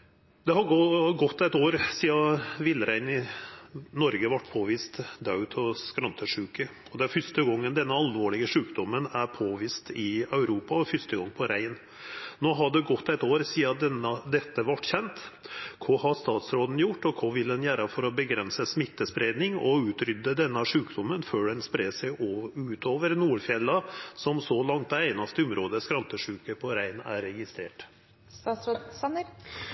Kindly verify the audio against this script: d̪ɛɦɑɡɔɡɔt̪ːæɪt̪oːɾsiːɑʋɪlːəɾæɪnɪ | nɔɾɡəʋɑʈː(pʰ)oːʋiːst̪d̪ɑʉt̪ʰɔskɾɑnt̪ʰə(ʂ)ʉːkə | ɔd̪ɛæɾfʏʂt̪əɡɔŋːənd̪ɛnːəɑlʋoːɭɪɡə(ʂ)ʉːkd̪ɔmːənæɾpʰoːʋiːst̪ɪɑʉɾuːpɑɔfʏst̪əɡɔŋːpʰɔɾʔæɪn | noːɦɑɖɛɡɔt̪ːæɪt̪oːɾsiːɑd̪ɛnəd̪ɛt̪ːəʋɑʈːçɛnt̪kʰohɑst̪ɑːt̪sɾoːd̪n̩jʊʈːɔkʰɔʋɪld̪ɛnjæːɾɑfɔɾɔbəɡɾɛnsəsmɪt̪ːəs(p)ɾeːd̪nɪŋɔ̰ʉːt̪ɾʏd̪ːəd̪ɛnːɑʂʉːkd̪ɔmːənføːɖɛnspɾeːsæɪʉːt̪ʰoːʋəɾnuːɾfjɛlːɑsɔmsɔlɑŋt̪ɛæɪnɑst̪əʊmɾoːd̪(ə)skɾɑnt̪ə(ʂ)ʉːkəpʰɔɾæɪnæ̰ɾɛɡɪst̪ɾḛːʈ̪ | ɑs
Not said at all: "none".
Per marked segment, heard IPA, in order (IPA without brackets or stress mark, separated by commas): pʰ, ʂ, ʂ, p, ə, ʂ